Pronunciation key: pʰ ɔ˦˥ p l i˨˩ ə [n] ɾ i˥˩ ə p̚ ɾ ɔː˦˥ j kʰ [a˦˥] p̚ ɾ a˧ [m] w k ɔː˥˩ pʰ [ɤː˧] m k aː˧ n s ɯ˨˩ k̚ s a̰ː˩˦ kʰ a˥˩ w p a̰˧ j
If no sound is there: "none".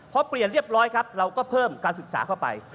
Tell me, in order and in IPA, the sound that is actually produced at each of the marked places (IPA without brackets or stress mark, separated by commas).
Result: n, a˦˥, none, ɤː˥˩